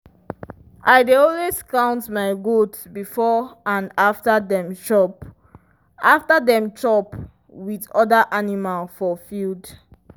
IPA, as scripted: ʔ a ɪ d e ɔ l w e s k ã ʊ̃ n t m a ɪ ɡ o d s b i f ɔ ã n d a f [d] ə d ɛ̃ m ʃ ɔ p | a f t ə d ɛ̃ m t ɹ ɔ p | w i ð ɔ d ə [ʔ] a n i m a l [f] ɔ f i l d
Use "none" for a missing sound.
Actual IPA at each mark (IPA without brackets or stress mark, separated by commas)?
t, ʔ, f